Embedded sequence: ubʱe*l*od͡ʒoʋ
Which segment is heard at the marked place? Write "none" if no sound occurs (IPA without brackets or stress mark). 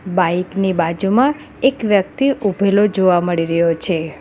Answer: l